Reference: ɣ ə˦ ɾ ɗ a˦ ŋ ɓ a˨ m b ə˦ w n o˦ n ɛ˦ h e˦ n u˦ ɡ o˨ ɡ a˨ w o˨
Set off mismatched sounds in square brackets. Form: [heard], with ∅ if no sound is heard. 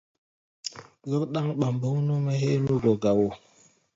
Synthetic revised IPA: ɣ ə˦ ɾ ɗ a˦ ŋ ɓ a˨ m b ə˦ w n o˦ [m] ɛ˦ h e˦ n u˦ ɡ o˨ ɡ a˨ w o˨